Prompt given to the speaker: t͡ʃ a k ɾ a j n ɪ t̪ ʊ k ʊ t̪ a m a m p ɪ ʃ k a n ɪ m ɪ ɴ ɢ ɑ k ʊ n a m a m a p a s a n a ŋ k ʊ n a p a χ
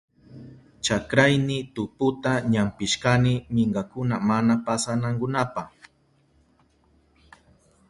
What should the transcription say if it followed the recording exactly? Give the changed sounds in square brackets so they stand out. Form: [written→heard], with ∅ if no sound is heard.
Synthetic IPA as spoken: t͡ʃ a k ɾ a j n ɪ t̪ ʊ [k→p] ʊ t̪ a [m→ɲ] a m p ɪ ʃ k a n ɪ m ɪ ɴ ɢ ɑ k ʊ n a m a [m→n] a p a s a n a ŋ k ʊ n a p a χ